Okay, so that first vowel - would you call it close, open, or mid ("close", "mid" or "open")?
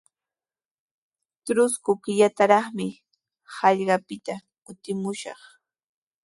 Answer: close